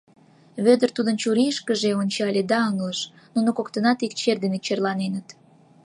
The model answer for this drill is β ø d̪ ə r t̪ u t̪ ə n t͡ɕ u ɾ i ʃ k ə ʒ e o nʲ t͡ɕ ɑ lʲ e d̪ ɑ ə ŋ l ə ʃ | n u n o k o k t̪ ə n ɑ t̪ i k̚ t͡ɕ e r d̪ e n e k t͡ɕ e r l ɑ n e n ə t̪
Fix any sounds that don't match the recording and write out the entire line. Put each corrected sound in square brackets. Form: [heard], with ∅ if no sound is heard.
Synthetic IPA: β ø d̪ ə r t̪ u [d̪] ə n t͡ɕ u ɾ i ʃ k ə ʒ e o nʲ t͡ɕ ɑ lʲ e d̪ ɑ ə ŋ l ə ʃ | n u n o k o k t̪ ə n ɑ t̪ i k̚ t͡ɕ e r d̪ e n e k t͡ɕ e r l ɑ n e n ə t̪